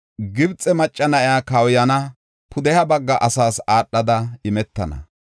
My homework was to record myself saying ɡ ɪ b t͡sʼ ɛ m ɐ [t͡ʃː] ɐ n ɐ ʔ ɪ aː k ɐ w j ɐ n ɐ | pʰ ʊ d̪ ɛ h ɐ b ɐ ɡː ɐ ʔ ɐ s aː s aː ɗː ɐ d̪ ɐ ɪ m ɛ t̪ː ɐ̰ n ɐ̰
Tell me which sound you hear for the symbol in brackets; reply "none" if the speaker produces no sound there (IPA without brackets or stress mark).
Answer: t͡ʃʼː